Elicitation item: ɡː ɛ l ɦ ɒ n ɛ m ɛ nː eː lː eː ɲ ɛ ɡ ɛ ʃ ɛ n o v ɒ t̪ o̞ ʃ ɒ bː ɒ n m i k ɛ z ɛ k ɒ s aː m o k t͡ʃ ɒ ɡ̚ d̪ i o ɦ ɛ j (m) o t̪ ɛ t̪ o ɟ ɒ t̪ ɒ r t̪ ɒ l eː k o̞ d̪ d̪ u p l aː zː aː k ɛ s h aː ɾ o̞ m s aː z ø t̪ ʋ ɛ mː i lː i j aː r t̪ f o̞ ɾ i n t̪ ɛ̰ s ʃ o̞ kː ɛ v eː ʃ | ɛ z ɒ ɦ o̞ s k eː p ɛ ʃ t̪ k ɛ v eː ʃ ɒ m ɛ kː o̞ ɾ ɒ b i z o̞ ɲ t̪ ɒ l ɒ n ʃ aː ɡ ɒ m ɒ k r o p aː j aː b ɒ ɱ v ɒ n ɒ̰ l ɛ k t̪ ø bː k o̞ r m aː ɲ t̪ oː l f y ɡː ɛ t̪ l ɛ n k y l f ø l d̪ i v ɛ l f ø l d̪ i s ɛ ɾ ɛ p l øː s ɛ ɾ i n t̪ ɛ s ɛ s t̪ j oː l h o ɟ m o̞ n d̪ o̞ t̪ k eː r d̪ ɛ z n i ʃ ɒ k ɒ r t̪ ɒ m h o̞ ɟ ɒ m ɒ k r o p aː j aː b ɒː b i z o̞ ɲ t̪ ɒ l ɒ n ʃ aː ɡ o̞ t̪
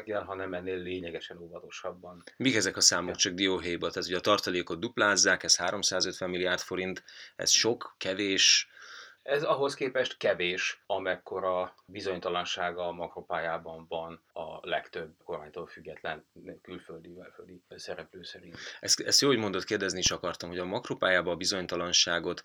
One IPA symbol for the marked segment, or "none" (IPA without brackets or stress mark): b